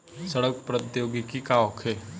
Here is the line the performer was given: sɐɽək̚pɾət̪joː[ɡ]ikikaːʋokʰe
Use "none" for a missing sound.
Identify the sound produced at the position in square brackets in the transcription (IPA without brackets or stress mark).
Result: ɡ